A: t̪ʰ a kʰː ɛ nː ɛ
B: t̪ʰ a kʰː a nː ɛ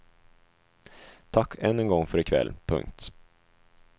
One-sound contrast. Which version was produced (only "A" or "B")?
A